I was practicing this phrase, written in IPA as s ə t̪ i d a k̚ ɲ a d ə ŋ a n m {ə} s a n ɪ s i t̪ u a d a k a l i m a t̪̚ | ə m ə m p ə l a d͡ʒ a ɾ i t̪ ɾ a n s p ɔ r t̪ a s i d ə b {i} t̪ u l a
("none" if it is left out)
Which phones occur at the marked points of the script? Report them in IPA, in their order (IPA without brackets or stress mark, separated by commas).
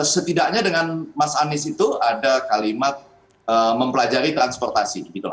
a, i